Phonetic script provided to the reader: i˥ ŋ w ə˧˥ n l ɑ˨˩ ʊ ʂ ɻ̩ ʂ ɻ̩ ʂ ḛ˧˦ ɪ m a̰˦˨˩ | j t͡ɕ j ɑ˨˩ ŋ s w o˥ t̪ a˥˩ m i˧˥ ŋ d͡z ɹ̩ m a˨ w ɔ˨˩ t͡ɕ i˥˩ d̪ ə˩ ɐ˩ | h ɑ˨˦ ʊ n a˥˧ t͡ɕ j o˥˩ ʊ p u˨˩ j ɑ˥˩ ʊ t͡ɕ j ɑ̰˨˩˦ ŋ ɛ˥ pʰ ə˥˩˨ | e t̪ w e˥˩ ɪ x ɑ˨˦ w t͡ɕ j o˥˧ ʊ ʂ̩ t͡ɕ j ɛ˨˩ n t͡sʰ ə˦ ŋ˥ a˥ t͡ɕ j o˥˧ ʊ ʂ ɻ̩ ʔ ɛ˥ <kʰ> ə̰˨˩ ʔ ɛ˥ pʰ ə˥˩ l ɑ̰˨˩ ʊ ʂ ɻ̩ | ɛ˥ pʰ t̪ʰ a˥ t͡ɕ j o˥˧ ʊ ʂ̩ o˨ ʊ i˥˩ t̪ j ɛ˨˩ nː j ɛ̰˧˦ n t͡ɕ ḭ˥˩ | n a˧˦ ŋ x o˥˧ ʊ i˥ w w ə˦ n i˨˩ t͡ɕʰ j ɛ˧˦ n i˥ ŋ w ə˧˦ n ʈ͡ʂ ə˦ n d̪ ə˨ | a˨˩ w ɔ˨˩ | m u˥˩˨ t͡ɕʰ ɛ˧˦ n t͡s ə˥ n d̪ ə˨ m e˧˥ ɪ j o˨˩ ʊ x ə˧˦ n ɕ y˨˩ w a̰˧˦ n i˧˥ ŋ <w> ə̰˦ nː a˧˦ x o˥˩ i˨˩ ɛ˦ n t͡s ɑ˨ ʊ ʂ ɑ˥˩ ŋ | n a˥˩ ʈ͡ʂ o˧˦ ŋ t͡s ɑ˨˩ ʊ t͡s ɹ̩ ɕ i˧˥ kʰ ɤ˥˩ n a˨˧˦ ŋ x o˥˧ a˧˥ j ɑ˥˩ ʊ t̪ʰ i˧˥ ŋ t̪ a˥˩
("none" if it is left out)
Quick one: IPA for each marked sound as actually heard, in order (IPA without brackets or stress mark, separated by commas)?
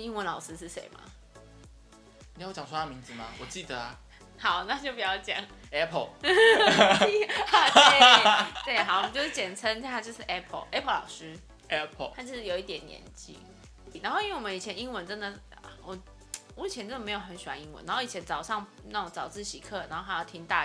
pʰ, w